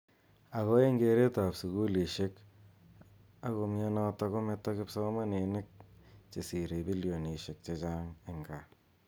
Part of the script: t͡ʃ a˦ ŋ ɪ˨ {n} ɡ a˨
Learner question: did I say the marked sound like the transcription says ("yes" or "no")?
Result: no